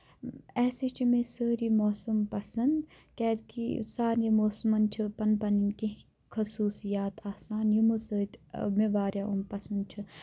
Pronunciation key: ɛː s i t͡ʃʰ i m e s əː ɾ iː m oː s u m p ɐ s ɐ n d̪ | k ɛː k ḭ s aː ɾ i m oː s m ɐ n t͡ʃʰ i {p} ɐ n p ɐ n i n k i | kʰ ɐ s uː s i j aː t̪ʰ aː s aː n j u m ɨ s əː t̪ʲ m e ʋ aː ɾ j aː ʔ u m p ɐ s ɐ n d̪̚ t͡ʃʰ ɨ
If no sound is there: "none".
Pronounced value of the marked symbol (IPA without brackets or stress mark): p